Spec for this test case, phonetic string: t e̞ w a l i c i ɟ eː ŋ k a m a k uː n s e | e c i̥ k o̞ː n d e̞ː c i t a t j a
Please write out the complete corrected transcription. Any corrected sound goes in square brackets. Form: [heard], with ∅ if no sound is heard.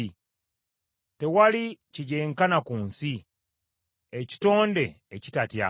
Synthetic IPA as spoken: t e̞ w a l i c i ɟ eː ŋ k a [n] a k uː n s [i] | e c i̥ [t] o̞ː n d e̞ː c i t a t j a